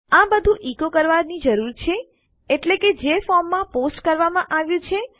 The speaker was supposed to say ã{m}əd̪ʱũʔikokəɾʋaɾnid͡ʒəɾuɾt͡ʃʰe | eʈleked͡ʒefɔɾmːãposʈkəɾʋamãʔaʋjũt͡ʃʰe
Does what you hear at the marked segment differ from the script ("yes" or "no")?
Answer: yes